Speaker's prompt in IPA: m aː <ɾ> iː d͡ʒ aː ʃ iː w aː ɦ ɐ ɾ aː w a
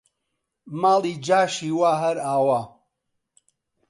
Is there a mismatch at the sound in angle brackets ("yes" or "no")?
yes